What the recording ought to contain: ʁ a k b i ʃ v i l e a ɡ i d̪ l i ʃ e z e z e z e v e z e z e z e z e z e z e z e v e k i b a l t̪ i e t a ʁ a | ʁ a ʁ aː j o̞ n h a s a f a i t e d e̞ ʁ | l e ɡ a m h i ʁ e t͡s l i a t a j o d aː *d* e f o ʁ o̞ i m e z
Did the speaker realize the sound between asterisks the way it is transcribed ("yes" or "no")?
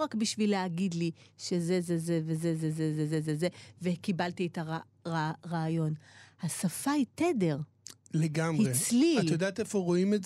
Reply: no